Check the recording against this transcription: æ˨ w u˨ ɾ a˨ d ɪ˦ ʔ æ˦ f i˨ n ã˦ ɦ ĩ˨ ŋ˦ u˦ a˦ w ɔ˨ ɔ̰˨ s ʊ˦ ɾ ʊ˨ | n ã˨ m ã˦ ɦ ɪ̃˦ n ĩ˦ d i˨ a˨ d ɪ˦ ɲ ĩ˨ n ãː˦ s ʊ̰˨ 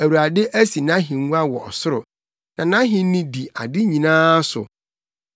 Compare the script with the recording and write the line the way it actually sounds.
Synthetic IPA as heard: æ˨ w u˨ ɾ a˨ d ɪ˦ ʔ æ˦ s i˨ n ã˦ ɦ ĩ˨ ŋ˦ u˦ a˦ w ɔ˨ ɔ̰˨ s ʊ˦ ɾ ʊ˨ | n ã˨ n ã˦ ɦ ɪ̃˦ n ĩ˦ d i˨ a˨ d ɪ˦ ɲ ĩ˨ n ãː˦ s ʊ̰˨